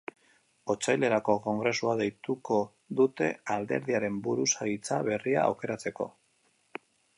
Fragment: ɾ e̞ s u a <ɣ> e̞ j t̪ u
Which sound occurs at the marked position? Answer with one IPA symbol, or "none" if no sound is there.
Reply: ð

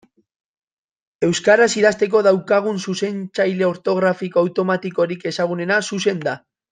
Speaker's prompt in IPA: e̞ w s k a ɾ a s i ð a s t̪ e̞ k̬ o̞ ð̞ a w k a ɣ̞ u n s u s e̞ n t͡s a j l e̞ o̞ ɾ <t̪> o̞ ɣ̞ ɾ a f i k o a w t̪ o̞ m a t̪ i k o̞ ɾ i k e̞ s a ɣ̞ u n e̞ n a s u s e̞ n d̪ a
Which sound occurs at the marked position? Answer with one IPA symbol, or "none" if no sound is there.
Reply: t̪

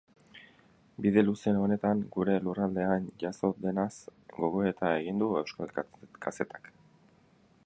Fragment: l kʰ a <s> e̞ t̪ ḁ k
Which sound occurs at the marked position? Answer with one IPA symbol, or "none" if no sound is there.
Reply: s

